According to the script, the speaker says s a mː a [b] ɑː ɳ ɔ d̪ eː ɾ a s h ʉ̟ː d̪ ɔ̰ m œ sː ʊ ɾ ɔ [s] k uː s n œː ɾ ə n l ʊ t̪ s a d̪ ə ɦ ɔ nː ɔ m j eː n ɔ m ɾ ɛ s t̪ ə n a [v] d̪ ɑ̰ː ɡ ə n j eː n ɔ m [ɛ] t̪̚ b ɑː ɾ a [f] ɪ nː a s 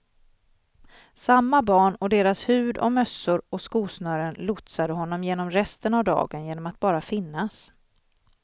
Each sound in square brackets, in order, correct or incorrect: correct, correct, correct, incorrect: a, correct

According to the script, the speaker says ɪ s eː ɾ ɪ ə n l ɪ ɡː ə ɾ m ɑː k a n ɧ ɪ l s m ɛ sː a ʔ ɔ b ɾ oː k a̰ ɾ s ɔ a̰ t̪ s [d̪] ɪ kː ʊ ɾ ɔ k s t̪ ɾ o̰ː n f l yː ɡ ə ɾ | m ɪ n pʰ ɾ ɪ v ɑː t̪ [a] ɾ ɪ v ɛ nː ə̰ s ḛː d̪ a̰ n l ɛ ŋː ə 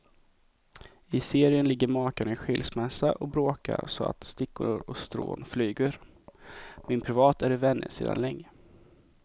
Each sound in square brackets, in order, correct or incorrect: incorrect: t̪, incorrect: æ

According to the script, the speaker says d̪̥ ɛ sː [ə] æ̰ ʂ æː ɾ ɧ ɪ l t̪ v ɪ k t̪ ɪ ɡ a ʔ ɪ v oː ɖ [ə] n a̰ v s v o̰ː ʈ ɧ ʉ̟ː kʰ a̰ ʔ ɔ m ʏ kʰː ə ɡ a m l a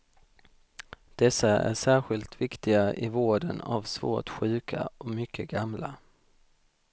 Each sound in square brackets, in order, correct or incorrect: incorrect: a, correct

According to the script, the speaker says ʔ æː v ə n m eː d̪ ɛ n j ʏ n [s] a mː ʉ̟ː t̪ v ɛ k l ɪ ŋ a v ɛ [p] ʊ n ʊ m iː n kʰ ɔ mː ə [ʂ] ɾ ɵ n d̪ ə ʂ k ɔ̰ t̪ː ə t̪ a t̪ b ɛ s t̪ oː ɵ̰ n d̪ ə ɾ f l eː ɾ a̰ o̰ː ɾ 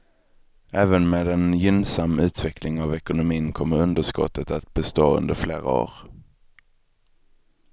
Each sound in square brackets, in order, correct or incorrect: correct, incorrect: k, incorrect: none

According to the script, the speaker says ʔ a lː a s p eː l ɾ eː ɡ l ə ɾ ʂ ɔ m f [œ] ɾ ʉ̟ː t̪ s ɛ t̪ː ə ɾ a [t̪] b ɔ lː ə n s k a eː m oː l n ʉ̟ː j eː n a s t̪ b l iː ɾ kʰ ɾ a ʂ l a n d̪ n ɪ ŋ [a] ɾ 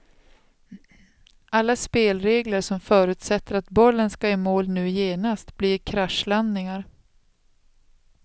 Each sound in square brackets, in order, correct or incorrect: incorrect: œː, correct, correct

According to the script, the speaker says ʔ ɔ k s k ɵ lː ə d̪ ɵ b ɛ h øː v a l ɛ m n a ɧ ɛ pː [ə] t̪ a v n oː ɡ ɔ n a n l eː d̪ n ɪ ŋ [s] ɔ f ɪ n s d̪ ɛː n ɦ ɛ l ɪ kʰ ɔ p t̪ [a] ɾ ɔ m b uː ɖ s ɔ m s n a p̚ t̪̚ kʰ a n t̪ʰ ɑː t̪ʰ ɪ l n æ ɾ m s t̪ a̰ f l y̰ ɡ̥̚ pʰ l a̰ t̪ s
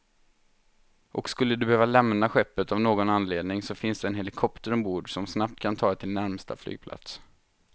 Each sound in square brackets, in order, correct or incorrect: correct, correct, incorrect: ə

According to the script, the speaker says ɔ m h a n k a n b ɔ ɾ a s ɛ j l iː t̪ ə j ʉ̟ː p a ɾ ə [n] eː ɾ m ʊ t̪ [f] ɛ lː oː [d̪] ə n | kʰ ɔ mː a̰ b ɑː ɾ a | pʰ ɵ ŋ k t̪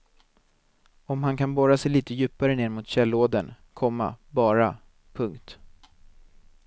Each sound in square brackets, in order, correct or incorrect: correct, incorrect: ɕ, correct

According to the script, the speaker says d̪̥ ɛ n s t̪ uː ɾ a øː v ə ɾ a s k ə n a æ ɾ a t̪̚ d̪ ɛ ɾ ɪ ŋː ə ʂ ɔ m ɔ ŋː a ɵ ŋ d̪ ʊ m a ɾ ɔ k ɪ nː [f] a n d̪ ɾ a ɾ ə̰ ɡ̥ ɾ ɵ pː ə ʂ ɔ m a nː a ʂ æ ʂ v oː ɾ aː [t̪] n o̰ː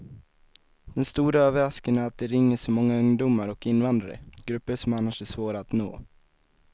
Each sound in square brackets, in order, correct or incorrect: incorrect: v, correct

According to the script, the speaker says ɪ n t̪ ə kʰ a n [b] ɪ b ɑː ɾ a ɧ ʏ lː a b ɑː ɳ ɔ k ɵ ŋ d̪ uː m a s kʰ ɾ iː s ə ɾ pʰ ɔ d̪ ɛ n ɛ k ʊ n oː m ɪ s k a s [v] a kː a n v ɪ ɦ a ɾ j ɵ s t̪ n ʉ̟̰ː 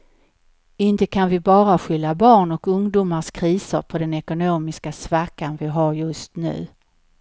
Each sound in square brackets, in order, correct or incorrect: incorrect: v, correct

